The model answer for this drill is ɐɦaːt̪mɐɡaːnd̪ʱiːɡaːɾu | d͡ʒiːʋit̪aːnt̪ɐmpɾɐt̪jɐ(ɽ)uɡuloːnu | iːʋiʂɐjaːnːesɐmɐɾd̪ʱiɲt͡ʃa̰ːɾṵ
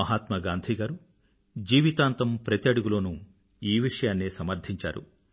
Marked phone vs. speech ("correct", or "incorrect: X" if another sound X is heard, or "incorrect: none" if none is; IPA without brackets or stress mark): correct